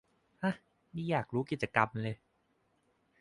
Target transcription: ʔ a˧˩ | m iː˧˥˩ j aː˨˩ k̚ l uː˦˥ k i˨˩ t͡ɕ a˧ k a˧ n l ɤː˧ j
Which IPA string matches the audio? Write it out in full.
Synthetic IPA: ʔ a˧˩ | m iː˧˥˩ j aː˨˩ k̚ ɾ uː˦˥ k i˨˩ t͡ɕ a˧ k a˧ m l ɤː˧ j